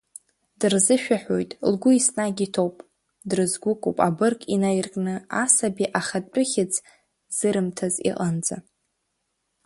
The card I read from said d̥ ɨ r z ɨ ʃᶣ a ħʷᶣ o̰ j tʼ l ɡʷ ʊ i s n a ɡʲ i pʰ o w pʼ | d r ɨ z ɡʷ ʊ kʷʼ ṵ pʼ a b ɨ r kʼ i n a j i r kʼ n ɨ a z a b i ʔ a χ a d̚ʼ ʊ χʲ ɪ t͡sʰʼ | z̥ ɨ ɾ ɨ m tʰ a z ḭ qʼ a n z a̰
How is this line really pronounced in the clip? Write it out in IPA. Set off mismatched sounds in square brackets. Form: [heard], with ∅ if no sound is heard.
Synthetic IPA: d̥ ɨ r z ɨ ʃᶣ a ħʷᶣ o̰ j tʼ l ɡʷ ʊ i s n a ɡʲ i [tʰ] o w pʼ | d r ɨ z ɡʷ ʊ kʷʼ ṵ pʼ a b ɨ r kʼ i n a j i r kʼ n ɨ a [s] a b i ʔ a χ a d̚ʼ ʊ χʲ ɪ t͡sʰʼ | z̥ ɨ ɾ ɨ m tʰ a z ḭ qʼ a n [d͡z] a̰